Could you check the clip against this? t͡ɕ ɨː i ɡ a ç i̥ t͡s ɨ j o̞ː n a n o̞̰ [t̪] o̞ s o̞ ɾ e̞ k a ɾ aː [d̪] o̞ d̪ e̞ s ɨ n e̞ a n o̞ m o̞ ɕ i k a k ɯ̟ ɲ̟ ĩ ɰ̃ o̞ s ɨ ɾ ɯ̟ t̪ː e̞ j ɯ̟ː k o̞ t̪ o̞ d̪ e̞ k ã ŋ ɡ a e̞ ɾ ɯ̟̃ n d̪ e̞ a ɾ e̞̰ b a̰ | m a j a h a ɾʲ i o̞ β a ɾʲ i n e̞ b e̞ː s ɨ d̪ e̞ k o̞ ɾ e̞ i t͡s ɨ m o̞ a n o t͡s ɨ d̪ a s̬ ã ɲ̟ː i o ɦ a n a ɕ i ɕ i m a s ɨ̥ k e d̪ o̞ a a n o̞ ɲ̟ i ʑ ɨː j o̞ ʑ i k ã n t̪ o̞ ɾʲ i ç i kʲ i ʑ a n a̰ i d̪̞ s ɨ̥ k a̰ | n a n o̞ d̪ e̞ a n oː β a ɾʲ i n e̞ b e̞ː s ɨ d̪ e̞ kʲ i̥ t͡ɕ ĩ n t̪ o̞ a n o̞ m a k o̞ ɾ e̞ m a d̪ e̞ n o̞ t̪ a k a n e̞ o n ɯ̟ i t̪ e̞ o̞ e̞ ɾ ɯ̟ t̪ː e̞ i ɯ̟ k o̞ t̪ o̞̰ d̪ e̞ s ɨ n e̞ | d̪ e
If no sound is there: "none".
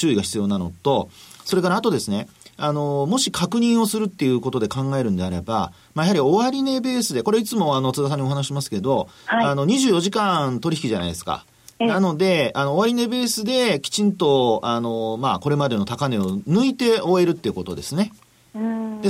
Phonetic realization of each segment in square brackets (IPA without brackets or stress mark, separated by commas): t̪, t̪